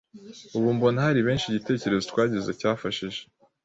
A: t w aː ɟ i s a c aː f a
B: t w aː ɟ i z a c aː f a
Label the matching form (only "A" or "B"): B